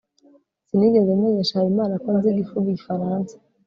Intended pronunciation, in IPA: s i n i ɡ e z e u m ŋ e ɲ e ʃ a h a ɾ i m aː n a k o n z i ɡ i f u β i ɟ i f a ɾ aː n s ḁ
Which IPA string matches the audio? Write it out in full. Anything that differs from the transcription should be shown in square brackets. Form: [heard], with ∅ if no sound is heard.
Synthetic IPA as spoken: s i n i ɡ e z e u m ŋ e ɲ e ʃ a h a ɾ i m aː n a k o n z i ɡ i f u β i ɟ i f a ɾ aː n s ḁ